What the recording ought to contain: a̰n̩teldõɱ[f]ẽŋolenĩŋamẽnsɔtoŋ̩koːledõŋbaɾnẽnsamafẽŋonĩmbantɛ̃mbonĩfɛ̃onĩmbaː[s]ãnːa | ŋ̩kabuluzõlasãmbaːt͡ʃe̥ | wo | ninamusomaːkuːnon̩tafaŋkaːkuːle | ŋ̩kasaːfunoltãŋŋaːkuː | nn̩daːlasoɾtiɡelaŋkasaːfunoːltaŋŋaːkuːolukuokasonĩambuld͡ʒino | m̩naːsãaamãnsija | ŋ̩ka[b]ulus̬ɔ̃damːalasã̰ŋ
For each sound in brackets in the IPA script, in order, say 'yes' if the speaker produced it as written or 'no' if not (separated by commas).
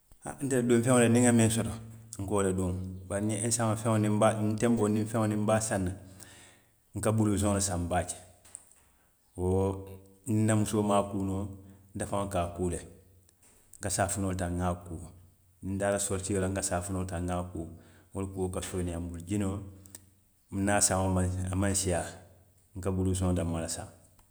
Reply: yes, yes, yes